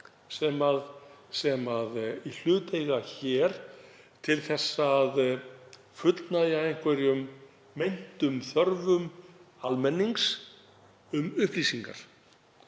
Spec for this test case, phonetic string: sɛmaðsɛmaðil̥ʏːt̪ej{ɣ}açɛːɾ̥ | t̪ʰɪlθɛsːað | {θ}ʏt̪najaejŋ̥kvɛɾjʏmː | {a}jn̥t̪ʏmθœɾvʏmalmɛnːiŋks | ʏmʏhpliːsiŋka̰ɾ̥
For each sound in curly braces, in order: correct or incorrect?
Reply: correct, incorrect: f, incorrect: e

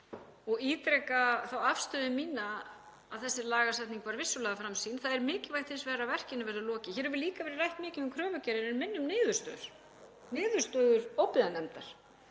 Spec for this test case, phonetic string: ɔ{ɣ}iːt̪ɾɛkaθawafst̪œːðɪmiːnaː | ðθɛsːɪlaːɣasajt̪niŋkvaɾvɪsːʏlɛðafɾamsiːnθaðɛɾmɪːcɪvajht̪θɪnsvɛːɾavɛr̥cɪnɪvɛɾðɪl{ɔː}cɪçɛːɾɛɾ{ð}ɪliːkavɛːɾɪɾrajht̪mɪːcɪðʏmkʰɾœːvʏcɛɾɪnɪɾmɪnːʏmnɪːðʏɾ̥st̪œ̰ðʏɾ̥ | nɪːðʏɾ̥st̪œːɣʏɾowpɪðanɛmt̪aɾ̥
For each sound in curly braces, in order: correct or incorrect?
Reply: correct, correct, incorrect: v

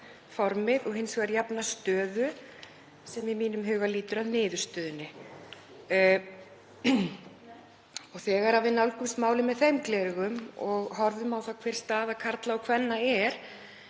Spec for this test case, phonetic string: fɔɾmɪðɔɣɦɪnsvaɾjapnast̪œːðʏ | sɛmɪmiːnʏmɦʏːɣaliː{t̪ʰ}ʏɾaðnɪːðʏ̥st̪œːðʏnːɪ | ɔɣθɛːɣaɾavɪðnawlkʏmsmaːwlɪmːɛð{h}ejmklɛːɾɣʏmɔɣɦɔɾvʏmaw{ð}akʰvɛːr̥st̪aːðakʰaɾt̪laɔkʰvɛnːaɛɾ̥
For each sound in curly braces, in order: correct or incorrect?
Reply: incorrect: t̪, incorrect: θ, incorrect: θ

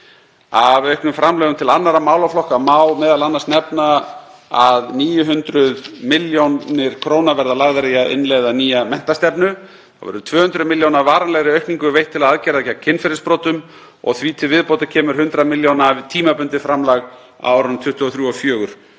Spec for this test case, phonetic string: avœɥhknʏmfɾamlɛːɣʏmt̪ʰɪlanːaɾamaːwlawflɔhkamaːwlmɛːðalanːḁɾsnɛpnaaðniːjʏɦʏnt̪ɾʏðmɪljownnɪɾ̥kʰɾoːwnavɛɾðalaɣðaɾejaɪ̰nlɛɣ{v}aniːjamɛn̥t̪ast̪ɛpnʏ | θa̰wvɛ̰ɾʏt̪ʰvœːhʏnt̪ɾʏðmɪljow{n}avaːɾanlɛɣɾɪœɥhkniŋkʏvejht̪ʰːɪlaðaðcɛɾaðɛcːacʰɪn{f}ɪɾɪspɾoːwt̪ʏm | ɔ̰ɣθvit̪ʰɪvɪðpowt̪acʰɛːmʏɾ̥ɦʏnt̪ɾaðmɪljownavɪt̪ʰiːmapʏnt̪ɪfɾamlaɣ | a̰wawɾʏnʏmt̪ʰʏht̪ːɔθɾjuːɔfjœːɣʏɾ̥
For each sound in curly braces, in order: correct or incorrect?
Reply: incorrect: ð, correct, correct

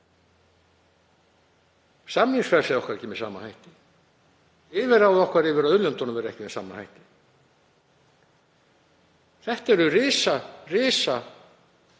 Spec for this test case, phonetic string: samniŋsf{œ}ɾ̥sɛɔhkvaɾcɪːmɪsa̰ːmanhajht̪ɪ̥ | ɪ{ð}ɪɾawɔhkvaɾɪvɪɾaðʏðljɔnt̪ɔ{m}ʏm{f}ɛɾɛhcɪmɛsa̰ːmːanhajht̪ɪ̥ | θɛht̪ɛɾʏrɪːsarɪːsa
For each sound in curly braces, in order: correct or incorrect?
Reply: incorrect: ɛ, incorrect: v, incorrect: n, incorrect: v

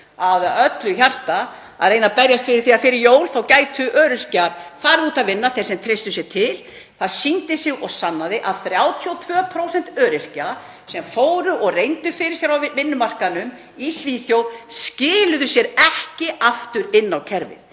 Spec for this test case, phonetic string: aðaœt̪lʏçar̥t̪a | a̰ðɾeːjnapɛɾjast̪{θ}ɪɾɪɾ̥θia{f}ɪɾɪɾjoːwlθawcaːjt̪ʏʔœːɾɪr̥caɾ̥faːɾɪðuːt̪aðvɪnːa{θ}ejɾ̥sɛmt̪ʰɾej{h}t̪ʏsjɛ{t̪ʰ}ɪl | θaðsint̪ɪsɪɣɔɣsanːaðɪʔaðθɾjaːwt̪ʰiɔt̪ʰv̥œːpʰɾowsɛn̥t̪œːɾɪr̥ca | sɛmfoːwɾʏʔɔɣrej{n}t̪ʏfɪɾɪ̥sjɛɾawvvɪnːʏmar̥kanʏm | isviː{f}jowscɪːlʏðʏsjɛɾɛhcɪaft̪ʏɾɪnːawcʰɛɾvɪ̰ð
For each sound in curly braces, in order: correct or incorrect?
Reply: incorrect: f, correct, correct, incorrect: s, correct, correct, incorrect: θ

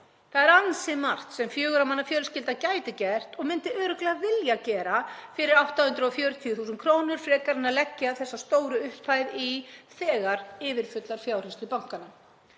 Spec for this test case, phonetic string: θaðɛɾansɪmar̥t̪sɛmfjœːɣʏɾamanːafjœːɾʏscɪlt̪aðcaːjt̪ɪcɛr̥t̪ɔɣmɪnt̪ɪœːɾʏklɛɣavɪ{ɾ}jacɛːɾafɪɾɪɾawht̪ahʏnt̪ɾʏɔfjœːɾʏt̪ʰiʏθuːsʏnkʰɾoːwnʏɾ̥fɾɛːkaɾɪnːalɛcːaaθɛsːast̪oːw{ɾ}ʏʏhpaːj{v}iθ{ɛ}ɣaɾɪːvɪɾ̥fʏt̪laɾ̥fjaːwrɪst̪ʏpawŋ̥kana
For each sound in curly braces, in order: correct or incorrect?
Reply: incorrect: l, correct, incorrect: ð, incorrect: ɛː

